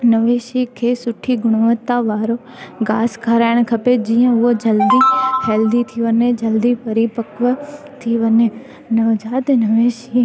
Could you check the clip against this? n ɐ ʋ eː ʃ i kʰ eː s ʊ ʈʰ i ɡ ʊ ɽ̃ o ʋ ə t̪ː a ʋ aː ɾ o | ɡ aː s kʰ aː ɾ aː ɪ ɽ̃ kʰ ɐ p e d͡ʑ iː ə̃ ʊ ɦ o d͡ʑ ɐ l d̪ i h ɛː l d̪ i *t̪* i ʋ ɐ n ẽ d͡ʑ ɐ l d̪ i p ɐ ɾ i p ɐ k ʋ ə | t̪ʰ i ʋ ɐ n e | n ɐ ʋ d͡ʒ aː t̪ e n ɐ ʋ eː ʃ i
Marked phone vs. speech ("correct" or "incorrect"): incorrect